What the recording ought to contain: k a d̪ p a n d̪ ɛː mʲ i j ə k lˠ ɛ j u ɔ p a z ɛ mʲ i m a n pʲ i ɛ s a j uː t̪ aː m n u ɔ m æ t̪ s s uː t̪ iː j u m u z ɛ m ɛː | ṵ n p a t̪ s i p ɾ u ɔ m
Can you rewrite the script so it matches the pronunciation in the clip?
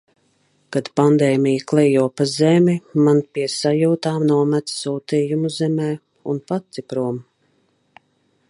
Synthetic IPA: k a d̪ p a n d̪ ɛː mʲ i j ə k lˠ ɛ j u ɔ p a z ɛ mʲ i m a n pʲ i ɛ s a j uː t̪ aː m n u ɔ m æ t̪ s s uː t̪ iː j u m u z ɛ m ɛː | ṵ n p a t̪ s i p ɾ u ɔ m